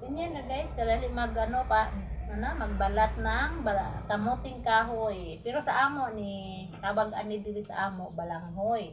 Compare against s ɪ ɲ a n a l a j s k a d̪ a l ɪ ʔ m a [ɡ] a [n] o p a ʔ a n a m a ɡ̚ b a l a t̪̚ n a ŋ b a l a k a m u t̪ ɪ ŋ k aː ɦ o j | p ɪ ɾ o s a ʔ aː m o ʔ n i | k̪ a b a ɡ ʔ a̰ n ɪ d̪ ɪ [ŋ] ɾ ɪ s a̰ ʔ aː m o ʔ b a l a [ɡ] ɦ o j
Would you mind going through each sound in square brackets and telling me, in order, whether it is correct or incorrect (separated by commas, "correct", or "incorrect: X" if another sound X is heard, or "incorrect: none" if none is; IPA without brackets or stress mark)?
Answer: correct, correct, incorrect: none, incorrect: ŋ